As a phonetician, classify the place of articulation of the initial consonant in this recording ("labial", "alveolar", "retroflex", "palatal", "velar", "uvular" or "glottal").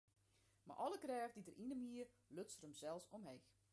labial